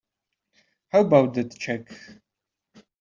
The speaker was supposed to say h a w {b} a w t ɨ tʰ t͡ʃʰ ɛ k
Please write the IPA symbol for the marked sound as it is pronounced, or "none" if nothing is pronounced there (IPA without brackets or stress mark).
b